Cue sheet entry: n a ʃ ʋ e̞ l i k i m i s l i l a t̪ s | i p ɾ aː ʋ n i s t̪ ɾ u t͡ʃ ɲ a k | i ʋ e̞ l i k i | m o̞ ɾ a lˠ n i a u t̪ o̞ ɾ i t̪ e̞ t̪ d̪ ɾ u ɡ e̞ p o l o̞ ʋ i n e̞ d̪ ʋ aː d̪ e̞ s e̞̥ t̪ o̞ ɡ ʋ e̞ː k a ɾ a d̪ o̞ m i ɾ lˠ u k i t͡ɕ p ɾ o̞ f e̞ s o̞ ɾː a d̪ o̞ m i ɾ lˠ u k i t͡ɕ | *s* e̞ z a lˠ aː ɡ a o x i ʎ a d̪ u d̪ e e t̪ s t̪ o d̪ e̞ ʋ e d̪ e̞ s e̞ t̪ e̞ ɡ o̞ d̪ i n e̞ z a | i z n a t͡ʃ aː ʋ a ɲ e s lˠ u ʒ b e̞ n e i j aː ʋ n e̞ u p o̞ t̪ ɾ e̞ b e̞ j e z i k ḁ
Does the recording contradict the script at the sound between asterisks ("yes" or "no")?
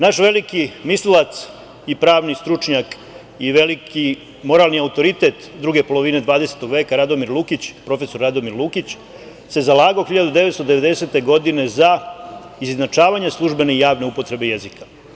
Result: no